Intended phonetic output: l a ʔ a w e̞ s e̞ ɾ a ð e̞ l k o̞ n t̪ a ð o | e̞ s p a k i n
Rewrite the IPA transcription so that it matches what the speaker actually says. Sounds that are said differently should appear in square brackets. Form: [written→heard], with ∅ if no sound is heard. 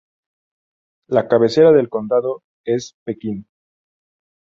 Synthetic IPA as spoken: l a [ʔ→k] a [w→β] e̞ s e̞ ɾ a ð e̞ l k o̞ n [t̪→d̪] a ð o | e̞ s p [a→e] k i n